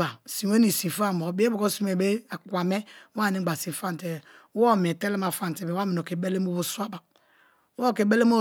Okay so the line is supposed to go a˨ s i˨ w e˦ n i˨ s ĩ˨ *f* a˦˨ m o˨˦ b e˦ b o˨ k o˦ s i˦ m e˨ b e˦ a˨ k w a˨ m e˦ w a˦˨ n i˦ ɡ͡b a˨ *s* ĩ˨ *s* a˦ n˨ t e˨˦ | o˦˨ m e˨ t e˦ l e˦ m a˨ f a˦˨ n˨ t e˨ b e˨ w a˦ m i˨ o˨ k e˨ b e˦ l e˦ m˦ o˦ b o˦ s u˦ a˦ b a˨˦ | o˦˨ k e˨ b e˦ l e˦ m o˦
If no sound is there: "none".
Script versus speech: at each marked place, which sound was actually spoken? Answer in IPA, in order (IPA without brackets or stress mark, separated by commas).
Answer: f, s, f